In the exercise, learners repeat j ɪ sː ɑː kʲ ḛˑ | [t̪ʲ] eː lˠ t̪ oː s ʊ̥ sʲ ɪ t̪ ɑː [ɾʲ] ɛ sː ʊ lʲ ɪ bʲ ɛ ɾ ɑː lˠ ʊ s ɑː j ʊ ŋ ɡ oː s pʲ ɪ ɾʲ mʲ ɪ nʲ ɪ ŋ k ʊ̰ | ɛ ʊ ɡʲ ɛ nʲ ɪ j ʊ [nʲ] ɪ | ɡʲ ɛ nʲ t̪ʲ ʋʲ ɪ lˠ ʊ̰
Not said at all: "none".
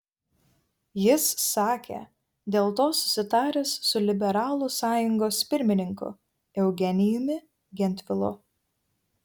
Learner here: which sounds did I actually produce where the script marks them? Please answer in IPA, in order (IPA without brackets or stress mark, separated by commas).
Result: d̪ʲ, ɾʲ, mʲ